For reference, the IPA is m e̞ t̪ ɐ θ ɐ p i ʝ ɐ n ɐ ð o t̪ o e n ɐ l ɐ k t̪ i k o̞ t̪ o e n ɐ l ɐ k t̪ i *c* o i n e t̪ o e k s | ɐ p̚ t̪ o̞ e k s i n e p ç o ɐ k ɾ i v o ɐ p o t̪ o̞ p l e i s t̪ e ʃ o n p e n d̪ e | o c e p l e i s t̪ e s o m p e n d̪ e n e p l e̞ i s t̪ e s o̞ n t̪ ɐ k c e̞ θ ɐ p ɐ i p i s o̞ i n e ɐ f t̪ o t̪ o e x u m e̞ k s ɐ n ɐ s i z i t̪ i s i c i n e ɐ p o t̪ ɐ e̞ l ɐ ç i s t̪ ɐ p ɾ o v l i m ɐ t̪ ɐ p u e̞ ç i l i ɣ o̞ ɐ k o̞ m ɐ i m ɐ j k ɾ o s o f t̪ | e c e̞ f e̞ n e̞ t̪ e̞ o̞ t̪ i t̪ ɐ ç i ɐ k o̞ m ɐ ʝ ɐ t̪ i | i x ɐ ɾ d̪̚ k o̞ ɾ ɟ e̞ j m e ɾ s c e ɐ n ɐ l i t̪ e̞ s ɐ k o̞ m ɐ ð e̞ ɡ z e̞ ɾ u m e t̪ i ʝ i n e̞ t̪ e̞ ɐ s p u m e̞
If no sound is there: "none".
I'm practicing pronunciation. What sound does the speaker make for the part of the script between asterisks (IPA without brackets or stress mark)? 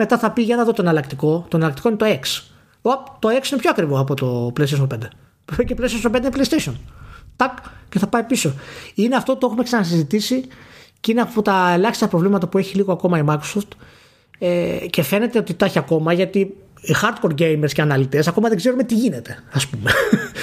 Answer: k